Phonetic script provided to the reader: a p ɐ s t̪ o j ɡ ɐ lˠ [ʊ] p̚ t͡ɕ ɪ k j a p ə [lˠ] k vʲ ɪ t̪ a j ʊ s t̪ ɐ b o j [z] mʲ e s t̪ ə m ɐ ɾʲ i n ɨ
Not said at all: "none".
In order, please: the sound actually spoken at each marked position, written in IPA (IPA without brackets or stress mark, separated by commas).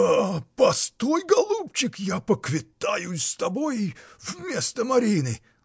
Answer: u, none, v